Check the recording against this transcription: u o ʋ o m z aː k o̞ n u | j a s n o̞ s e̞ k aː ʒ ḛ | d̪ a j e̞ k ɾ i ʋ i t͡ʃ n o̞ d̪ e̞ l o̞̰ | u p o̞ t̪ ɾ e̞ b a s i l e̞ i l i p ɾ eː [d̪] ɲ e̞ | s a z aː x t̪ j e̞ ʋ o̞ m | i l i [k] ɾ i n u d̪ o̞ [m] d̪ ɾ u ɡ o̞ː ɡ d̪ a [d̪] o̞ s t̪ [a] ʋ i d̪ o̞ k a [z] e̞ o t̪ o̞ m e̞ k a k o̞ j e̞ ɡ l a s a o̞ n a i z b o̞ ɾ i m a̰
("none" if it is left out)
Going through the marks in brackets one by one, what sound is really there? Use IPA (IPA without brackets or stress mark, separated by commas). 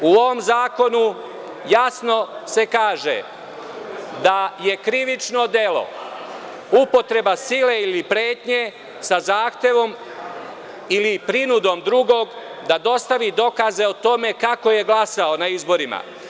t̪, p, m, d̪, a, z